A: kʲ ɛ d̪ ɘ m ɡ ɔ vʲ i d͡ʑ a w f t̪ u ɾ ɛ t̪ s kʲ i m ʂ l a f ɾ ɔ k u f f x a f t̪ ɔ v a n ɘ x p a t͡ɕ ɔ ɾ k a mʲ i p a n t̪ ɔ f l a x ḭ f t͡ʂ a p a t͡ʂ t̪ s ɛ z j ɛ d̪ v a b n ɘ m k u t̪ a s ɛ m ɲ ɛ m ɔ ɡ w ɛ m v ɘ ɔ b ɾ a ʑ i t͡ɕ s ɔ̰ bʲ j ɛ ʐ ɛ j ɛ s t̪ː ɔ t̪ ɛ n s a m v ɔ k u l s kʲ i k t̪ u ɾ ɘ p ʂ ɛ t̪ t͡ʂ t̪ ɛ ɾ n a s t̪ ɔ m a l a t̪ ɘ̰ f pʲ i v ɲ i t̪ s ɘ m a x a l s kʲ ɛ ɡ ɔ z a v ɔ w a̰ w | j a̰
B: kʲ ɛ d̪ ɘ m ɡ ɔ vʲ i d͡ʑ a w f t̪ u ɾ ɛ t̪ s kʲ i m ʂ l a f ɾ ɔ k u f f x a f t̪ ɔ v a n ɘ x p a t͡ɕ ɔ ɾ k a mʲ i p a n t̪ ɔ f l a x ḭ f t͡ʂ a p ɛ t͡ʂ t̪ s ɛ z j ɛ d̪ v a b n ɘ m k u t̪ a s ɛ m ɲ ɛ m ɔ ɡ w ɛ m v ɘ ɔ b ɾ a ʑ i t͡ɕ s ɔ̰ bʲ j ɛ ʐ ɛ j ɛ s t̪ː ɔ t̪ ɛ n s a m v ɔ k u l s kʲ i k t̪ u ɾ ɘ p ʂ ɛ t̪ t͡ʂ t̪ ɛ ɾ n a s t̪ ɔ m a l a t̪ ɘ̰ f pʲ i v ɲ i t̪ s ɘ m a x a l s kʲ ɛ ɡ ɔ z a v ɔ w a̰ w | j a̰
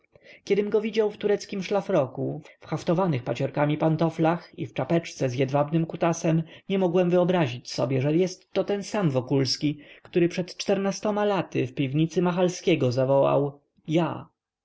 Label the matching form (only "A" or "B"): B